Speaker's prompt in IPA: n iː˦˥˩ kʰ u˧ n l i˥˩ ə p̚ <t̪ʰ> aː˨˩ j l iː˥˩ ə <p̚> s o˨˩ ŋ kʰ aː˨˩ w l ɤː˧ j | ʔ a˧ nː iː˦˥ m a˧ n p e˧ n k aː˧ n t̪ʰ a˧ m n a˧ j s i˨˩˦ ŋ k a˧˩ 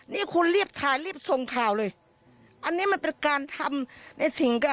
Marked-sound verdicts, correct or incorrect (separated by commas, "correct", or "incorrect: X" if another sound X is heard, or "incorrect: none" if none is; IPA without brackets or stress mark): correct, correct